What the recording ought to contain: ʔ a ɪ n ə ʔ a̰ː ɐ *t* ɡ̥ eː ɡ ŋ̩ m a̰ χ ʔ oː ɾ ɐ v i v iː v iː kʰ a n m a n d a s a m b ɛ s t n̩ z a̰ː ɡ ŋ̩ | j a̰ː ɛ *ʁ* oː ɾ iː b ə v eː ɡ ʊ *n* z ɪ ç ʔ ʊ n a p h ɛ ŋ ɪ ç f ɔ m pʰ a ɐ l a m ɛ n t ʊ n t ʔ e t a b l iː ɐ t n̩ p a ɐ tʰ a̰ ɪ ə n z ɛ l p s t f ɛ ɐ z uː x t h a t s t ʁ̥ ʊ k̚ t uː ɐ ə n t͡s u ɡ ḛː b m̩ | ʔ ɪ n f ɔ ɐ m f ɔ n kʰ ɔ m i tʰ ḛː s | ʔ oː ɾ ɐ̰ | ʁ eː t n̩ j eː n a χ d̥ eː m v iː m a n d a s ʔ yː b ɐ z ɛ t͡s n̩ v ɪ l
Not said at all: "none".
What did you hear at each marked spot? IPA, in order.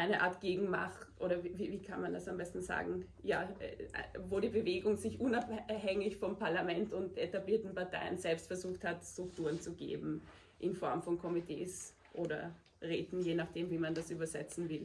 t, v, ŋ

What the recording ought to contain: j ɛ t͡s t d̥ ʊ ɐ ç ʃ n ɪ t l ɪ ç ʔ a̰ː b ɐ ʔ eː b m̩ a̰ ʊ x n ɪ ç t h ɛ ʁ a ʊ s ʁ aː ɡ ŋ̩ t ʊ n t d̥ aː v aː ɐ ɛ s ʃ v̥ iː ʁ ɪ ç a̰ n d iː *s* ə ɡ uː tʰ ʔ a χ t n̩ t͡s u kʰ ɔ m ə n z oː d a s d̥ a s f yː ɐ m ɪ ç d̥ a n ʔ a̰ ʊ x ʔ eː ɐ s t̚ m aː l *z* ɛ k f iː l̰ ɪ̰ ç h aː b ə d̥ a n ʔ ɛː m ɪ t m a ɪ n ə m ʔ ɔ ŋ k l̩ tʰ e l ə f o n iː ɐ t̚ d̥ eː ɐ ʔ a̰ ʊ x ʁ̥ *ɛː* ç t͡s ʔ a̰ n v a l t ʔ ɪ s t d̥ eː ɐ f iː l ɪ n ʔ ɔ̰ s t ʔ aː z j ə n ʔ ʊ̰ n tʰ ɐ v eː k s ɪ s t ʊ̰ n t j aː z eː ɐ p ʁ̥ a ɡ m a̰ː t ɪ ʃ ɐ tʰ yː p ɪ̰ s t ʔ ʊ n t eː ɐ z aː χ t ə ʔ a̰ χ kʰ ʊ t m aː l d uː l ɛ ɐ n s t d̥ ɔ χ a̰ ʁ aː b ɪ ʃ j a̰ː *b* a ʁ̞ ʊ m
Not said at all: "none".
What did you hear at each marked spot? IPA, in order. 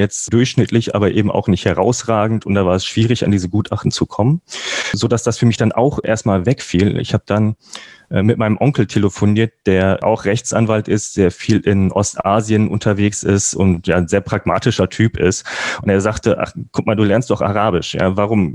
z, v, ɛ, v

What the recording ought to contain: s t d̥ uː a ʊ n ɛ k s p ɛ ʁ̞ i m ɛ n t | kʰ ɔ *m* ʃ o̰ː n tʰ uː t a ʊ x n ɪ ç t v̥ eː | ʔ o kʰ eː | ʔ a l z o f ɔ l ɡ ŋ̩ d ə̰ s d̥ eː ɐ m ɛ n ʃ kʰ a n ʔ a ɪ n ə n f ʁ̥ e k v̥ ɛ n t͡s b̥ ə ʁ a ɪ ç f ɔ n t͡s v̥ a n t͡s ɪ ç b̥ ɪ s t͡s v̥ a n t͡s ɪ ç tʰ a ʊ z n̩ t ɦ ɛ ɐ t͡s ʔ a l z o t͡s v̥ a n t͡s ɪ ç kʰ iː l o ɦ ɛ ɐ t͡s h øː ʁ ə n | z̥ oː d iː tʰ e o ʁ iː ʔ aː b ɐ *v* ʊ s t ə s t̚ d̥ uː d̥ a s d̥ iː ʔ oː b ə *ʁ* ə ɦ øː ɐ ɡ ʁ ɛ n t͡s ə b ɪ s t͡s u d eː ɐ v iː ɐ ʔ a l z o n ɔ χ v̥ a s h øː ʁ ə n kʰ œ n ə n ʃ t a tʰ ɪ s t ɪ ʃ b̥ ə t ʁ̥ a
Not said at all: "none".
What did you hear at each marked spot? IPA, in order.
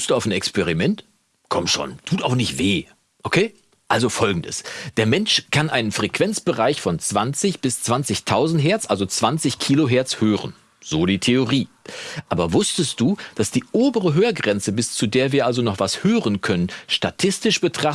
m, v, ʁ

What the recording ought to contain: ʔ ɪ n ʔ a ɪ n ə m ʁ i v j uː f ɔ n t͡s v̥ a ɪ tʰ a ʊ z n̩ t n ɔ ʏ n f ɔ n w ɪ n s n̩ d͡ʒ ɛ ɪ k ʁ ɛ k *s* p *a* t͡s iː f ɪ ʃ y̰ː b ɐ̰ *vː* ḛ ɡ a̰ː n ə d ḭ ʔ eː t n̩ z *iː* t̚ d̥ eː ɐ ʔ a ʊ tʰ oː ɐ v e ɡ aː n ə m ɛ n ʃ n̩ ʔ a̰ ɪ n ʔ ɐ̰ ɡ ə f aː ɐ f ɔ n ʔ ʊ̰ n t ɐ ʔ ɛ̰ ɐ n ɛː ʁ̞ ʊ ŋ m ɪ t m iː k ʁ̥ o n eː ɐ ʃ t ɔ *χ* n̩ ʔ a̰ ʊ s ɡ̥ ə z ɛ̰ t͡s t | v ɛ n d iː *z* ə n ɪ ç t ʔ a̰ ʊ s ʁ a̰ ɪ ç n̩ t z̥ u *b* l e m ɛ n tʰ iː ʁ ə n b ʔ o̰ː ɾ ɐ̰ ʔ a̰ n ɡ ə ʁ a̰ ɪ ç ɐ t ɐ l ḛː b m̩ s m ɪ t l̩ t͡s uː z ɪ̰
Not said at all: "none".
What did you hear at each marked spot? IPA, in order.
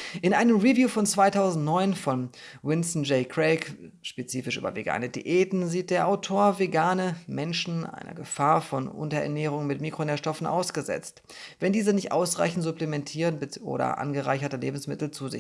ʃ, e, v, iː, f, z, p

